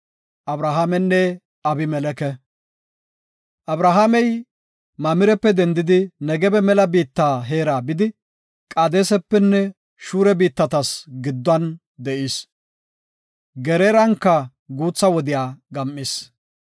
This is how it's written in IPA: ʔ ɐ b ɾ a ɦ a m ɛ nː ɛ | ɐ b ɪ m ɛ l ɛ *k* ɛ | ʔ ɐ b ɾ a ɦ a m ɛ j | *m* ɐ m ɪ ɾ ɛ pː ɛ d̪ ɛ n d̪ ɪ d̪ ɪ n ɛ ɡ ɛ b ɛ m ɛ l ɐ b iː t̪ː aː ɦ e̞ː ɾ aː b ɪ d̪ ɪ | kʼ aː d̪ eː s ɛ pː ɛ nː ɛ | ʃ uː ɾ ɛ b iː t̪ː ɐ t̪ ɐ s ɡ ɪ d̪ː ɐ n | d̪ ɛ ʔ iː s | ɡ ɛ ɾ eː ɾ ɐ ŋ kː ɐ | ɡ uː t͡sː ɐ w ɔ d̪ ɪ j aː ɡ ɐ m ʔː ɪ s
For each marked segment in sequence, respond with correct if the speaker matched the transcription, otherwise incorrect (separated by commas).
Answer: correct, correct